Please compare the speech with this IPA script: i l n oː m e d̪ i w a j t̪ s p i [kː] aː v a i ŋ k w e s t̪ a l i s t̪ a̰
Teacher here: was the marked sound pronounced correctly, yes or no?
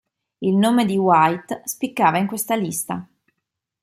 yes